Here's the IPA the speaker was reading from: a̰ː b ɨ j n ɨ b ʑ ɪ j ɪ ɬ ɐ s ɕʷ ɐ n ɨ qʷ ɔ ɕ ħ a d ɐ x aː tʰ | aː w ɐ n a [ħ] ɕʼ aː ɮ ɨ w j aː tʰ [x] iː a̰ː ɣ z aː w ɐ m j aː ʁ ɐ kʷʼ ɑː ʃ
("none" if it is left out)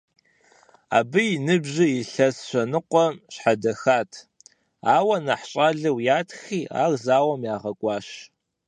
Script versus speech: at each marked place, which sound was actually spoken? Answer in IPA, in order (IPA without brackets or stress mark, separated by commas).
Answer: ħ, x